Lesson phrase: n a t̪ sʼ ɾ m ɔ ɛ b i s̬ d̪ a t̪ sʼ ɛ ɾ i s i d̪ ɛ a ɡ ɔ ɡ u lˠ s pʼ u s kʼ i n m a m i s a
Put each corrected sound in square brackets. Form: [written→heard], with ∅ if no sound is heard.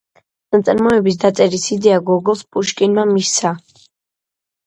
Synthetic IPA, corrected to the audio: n a t̪ sʼ ɾ m ɔ ɛ b i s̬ d̪ a t̪ sʼ ɛ ɾ i s i d̪ ɛ a ɡ ɔ ɡ [u→ɔ] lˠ s pʼ u [s→ʃ] kʼ i n m a m i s a